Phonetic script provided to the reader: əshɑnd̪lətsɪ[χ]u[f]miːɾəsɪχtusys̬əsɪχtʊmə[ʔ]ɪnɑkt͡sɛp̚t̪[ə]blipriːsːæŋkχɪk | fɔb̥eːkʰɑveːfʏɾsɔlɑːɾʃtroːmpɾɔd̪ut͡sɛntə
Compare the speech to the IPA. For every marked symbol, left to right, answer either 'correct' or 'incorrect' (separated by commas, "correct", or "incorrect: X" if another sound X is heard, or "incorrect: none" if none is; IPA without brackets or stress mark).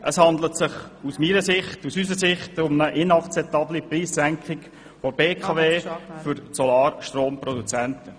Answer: correct, incorrect: s, correct, incorrect: ɑ